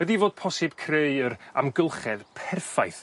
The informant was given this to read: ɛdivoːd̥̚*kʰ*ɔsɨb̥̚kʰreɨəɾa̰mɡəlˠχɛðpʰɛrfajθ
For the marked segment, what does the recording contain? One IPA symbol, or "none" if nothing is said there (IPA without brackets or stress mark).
pʰ